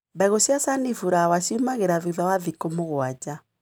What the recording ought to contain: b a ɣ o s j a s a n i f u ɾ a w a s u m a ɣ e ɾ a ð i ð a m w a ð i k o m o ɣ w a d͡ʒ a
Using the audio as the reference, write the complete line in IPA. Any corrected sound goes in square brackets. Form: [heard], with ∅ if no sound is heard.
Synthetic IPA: b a ɣ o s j a s a n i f u ɾ a w a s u m a ɣ e ɾ a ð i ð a [∅] w a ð i k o m o ɣ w a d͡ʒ a